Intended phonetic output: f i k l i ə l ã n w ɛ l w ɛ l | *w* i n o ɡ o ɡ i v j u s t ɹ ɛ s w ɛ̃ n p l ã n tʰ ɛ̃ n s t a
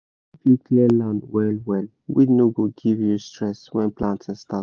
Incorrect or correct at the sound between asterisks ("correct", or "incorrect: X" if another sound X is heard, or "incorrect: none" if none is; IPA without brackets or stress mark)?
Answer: correct